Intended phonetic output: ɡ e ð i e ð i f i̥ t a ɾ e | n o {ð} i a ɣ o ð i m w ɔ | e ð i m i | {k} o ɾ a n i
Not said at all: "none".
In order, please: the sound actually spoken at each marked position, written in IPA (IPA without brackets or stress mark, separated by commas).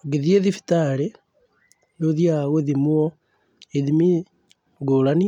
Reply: ð, ɡ